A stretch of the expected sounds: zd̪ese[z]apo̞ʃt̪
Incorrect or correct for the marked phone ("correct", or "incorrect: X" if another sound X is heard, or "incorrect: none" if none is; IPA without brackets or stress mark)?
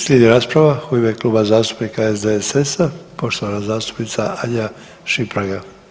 incorrect: s